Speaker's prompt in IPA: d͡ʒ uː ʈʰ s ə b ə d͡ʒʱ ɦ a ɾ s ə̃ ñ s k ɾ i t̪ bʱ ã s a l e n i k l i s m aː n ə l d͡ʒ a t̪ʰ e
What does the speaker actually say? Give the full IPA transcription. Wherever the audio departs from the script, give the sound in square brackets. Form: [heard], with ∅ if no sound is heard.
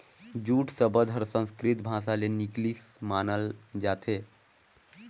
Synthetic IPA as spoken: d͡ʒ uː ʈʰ s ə b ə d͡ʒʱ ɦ [ə] ɾ s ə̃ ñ s k ɾ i t̪ bʱ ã s a l e n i k l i s m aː n ə l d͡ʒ a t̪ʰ e